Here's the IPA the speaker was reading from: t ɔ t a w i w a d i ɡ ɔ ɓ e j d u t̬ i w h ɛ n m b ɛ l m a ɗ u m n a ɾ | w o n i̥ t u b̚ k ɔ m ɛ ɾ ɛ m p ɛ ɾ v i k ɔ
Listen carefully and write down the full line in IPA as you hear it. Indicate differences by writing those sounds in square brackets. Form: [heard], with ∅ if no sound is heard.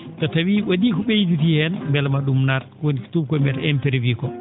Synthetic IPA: t ɔ t a w i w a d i [k] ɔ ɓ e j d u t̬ i [∅] h ɛ n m b ɛ l m a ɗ u m n a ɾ | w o n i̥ t u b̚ k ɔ m ɛ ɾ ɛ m p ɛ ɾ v i k ɔ

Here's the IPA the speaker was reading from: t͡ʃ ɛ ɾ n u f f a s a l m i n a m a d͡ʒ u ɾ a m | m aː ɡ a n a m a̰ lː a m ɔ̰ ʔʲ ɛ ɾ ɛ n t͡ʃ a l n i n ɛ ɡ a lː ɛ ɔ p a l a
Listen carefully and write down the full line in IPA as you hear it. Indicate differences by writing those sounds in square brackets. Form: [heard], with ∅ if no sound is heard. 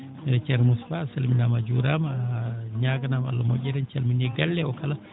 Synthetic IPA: t͡ʃ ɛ ɾ [m] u [s] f a s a l m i n a m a d͡ʒ u ɾ a m | [ɲ] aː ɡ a n a m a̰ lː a m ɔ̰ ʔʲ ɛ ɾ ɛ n t͡ʃ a l [m] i n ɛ ɡ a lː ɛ ɔ [k] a l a

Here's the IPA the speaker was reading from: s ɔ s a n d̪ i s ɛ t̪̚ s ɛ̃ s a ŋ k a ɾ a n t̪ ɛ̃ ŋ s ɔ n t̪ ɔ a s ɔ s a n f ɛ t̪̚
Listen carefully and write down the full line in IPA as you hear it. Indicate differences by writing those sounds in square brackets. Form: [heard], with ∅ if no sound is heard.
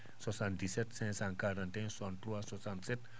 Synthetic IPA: s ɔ s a n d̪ i s ɛ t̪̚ s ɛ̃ s a ŋ k a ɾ a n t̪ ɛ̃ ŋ s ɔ n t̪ [u] a s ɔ s a n [s] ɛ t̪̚

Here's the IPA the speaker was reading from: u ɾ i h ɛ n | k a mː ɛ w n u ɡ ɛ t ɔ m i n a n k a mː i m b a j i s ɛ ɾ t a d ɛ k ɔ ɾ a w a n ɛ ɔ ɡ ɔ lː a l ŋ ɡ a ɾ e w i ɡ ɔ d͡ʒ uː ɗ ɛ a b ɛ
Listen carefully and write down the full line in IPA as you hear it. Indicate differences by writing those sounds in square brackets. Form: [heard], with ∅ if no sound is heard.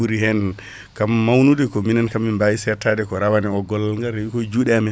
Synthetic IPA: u ɾ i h ɛ n | k a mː [a] w n u [d] ɛ [k] ɔ m i n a n k a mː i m b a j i s ɛ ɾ t a d ɛ k ɔ ɾ a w a n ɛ ɔ ɡ ɔ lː a l ŋ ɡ a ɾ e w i [k] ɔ d͡ʒ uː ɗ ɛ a [m] ɛ

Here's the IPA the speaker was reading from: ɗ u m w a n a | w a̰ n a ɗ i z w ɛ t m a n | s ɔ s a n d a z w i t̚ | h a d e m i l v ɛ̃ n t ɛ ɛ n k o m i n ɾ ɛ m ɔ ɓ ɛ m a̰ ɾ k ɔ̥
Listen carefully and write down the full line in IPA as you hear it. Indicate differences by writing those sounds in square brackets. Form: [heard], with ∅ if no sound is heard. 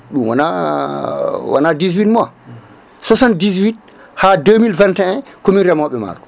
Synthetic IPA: ɗ u m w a n a | w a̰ n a [d] i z w [i] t m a [∅] | s ɔ s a n d [i] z w i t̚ | h a d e m i l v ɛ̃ n t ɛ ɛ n k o m i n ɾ ɛ m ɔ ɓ ɛ m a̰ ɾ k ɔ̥

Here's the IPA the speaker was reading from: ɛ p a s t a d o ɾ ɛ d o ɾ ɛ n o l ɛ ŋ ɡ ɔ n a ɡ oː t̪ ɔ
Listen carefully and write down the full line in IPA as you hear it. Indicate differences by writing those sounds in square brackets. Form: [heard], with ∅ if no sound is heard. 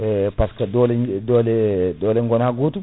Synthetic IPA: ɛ p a s [k] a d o [l] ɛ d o [l] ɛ [d] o l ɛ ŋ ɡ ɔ n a ɡ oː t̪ [u]

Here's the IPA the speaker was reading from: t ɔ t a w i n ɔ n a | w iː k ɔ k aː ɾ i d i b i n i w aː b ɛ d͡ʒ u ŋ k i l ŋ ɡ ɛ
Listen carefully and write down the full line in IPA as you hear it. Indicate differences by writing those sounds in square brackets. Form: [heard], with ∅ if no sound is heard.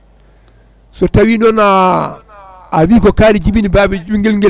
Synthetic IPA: [s] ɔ t a w i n ɔ n a | w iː k ɔ k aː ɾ i [d͡ʒ] i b i n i [b] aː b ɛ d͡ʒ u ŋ [ɡ] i l ŋ ɡ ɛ

